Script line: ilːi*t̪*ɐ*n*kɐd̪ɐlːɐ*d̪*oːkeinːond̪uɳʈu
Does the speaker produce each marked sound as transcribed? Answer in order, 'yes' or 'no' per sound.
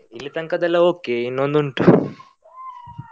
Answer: yes, no, no

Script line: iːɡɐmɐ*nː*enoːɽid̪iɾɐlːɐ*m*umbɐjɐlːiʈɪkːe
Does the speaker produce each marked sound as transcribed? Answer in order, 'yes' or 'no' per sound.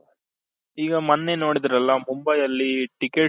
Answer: yes, yes

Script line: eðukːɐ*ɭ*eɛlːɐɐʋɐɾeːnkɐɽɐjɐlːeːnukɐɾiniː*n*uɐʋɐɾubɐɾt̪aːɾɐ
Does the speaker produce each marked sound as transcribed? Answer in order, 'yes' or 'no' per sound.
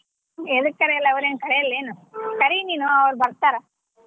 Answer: no, yes

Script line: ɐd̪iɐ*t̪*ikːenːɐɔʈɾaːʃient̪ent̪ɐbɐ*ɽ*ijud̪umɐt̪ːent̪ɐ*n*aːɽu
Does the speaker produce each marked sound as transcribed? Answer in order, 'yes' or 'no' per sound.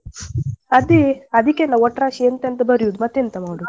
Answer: no, no, no

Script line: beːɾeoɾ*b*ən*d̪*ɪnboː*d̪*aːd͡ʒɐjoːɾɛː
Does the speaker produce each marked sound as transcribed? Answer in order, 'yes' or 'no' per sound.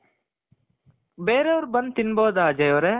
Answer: yes, no, yes

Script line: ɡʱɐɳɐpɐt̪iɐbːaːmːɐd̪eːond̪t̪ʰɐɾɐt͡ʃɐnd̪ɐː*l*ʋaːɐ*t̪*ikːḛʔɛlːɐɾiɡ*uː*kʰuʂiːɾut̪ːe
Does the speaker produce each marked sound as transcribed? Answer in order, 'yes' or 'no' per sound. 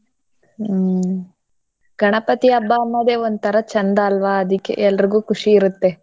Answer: yes, no, yes

